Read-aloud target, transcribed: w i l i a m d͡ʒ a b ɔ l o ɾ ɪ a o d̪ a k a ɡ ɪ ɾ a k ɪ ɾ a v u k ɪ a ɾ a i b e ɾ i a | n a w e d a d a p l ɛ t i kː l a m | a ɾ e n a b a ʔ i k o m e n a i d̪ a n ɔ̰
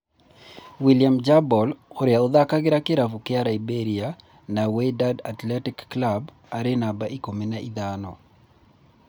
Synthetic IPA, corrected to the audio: w i l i a m d͡ʒ a b ɔ l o ɾ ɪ a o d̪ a k a ɡ ɪ ɾ a k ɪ ɾ a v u k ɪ a ɾ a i b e ɾ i a | n a w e d a d a t l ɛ t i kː l a b | a ɾ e n a b a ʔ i k o m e n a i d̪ a n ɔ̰